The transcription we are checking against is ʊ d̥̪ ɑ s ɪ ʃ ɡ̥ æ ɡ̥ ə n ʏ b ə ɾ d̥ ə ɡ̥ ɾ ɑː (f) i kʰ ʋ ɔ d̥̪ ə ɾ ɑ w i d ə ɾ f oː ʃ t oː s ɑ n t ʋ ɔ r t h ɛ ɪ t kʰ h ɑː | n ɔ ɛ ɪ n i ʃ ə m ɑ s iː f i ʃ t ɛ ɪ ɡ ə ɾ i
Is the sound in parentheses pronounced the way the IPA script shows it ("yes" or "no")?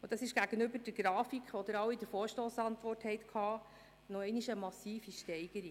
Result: yes